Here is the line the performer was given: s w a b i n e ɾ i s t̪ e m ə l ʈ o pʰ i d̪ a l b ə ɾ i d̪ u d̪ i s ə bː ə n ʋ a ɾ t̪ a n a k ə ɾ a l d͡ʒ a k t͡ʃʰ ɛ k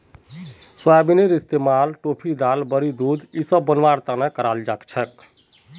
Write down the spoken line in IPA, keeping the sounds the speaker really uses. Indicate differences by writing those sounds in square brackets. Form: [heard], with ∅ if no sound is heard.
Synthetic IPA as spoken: s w a b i n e ɾ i s t̪ e m [a] l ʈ o pʰ i d̪ a l b ə ɾ i d̪ u d̪ i s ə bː ə n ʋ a ɾ t̪ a n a k ə ɾ a l d͡ʒ a k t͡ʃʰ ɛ k